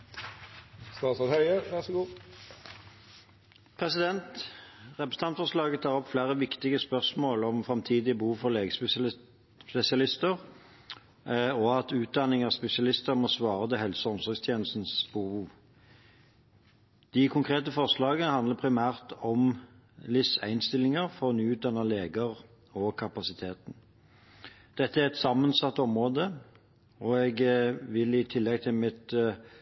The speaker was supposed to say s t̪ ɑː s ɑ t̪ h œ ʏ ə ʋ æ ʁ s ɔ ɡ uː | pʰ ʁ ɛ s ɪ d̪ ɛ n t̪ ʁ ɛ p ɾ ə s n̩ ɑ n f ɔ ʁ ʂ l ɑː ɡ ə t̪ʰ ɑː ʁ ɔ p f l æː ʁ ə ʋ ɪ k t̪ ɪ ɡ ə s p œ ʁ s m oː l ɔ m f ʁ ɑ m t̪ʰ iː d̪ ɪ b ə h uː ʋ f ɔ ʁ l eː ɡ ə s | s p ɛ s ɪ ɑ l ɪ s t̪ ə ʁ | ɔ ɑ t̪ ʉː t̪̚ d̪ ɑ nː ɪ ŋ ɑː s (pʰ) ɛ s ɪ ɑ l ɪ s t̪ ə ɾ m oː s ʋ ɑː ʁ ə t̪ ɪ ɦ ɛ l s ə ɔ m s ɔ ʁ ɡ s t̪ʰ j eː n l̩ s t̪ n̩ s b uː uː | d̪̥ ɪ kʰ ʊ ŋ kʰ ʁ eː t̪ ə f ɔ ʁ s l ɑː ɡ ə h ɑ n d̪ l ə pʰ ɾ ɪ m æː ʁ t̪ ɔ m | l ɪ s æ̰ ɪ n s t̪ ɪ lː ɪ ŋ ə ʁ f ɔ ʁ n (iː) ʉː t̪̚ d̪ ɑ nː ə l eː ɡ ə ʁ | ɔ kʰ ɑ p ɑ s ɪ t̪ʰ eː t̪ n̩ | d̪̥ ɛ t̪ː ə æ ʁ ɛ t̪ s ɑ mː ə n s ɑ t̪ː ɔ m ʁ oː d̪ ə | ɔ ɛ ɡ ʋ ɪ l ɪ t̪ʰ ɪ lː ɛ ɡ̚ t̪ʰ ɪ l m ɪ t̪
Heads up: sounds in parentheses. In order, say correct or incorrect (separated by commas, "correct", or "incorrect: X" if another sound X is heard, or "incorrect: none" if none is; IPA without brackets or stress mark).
incorrect: p, incorrect: yː